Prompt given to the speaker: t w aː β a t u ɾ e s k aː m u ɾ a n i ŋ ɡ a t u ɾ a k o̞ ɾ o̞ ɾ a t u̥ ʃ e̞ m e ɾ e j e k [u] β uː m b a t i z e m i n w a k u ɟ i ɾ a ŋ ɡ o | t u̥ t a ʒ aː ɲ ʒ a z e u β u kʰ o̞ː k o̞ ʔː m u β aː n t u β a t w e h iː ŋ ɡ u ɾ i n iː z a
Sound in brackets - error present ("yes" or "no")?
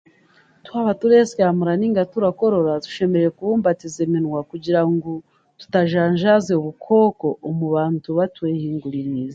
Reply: no